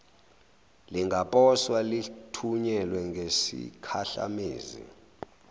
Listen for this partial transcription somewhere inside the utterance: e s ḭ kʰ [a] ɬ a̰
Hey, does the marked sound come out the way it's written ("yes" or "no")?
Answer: yes